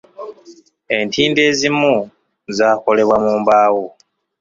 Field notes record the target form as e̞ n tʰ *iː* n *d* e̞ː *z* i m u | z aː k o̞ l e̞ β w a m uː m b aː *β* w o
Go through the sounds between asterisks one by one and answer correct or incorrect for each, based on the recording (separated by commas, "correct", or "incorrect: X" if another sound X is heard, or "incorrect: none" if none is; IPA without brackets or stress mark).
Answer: correct, correct, correct, incorrect: none